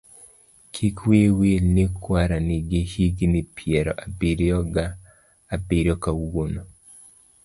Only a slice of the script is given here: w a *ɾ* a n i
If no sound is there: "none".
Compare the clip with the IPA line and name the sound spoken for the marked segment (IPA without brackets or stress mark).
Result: ɾ